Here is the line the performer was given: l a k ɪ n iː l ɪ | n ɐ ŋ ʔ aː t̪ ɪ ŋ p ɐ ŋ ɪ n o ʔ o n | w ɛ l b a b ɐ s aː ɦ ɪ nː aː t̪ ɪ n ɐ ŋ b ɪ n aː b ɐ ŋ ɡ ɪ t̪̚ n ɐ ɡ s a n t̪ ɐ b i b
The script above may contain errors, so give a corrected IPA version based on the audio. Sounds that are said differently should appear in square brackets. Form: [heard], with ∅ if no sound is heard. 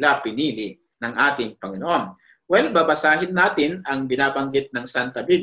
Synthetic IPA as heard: l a [p] ɪ n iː l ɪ | n ɐ ŋ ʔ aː t̪ ɪ ŋ p ɐ ŋ ɪ n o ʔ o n | w ɛ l b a b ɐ s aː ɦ ɪ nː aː t̪ ɪ n ɐ ŋ b ɪ n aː b ɐ ŋ ɡ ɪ t̪̚ n ɐ [ŋ] s a n t̪ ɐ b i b